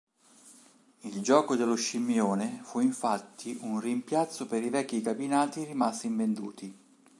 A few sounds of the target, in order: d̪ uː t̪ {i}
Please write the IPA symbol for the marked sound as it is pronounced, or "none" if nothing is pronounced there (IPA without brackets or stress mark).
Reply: i